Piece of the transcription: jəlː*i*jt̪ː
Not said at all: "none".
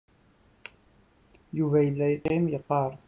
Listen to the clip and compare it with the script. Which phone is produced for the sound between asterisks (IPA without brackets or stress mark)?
æ